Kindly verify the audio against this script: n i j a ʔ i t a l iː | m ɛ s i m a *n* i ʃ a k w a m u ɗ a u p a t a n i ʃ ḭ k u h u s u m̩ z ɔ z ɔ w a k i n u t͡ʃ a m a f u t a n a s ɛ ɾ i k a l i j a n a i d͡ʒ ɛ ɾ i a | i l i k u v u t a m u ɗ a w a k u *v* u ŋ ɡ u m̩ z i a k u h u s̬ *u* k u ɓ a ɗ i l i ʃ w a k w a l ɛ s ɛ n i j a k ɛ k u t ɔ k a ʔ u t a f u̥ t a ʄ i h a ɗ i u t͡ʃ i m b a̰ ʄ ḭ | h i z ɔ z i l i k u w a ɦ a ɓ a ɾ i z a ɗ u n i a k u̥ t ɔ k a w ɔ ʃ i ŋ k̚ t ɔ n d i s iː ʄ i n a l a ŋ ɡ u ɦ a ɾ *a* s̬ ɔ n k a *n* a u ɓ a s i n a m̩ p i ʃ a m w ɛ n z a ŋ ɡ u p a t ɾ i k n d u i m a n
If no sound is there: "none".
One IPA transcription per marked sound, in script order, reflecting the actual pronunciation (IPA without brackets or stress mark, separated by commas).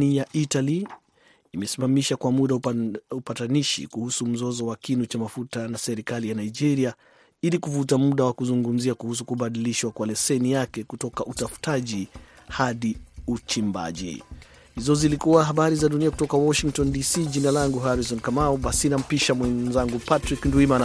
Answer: m, z, u, i, m